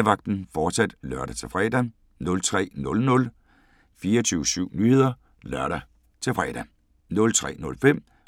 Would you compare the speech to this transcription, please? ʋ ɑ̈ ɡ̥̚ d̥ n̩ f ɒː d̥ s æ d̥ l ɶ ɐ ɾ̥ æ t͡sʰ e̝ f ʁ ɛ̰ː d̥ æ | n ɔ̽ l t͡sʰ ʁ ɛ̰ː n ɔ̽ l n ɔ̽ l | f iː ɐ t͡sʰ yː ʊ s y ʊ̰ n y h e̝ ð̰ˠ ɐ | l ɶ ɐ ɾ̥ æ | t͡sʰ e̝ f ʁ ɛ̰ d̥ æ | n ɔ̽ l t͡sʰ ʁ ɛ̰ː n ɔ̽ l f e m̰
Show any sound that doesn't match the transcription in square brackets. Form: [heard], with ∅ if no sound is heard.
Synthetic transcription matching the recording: ʋ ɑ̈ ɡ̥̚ d̥ n̩ f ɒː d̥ s æ d̥ l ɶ ɐ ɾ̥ æ t͡sʰ e̝ f ʁ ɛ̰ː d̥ æ | n ɔ̽ l t͡sʰ ʁ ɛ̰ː n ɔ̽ l n ɔ̽ l | f iː ɐ t͡sʰ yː ʊ s y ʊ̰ n y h e̝ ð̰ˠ ɐ | l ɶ ɐ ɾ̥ æ | t͡sʰ e̝ f ʁ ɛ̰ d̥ æ | n ɔ̽ l t͡sʰ ʁ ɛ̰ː n ɔ̽ l f e m̰

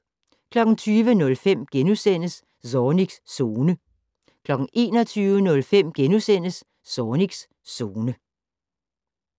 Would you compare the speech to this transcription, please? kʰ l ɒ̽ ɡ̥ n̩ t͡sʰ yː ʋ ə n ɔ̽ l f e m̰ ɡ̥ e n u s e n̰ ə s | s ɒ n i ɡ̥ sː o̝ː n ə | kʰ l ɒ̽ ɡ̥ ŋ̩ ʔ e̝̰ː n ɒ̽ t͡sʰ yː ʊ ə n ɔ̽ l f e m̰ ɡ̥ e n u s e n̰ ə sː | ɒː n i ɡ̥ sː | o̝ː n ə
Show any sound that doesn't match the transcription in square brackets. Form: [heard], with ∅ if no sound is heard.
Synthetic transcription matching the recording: kʰ l ɒ̽ ɡ̥ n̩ t͡sʰ yː ʋ ə n ɔ̽ l f e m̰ ɡ̥ e n u s e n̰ ə s | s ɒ n i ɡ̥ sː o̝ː n ə | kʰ l ɒ̽ ɡ̥ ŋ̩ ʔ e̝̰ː n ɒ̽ t͡sʰ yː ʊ ə n ɔ̽ l f e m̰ ɡ̥ e n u s e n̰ ə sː | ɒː n i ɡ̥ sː | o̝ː n ə

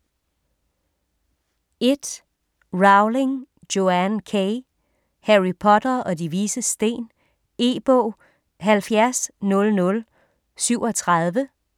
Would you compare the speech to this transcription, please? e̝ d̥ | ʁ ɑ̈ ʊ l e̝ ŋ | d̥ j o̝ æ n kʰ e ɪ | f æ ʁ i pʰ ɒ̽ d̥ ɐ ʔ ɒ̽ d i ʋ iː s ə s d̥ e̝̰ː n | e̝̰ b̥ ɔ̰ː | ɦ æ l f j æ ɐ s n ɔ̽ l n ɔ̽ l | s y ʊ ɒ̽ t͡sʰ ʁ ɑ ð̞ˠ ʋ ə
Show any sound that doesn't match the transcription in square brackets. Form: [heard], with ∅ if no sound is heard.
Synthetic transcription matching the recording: e̝ d̥ | ʁ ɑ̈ ʊ l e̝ ŋ | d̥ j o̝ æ n kʰ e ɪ | [h] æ ʁ i pʰ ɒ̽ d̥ ɐ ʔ ɒ̽ d i ʋ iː s ə s d̥ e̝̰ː n | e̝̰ b̥ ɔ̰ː | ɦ æ l f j æ ɐ s n ɔ̽ l n ɔ̽ l | s y ʊ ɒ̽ t͡sʰ ʁ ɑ ð̞ˠ ʋ ə

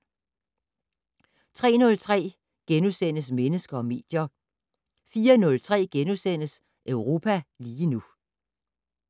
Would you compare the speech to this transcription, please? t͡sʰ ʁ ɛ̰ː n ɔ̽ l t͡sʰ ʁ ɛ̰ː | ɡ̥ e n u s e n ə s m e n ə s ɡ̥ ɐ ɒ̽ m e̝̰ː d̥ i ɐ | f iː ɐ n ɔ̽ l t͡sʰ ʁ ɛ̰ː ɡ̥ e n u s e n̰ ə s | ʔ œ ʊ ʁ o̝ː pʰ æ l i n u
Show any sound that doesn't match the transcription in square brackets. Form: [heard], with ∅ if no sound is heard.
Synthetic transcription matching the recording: t͡sʰ ʁ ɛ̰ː n ɔ̽ l t͡sʰ ʁ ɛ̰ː | ɡ̥ e n u s e n ə s m e n ə s ɡ̥ ɐ ɒ̽ m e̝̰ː d̥ [j] ɐ | f iː ɐ n ɔ̽ l t͡sʰ ʁ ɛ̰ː ɡ̥ e n u s e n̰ ə s | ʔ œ ʊ ʁ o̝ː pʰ æ l [iː] n u

